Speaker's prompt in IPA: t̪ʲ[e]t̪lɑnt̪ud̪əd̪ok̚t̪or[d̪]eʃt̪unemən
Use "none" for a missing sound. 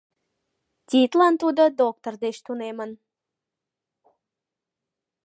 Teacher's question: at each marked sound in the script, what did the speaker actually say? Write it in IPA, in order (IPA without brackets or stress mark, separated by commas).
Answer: i, d̪